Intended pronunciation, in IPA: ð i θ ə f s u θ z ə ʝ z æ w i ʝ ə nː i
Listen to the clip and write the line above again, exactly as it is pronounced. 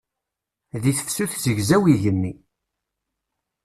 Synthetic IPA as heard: ð i θ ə f s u θ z ə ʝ z æ w i ʝ ə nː i